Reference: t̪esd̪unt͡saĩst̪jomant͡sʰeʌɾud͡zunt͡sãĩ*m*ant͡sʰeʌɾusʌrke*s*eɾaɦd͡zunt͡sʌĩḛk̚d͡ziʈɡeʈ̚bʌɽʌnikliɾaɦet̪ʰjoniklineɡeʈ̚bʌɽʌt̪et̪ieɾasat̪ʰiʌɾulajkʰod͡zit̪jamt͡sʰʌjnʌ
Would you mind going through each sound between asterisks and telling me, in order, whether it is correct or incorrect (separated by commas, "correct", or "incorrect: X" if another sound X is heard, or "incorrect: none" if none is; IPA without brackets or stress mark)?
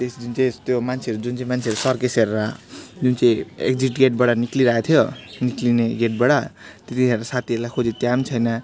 correct, correct